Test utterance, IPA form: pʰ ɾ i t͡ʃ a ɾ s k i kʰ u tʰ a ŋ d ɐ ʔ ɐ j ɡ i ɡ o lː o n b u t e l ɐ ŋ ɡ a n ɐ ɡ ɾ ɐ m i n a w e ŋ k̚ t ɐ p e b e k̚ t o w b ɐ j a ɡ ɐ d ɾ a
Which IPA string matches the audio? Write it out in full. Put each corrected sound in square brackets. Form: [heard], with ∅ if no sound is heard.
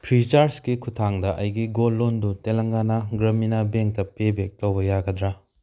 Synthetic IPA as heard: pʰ ɾ i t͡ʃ a ɾ s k i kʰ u tʰ a ŋ d ɐ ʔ ɐ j ɡ i ɡ o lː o n [d] u t e l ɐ ŋ ɡ a n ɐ ɡ ɾ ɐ m i n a [b] e ŋ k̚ t ɐ p e b e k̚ t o w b ɐ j a ɡ ɐ d ɾ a